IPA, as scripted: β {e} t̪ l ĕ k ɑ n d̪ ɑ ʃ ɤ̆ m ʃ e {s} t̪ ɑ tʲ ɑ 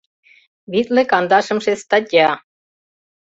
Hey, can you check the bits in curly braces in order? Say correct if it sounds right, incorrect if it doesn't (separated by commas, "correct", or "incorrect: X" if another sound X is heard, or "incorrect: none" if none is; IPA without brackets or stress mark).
incorrect: i, correct